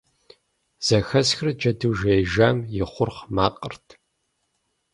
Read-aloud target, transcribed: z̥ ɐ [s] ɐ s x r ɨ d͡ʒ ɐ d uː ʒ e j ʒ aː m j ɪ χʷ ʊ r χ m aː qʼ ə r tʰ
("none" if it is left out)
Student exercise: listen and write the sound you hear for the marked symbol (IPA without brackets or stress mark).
x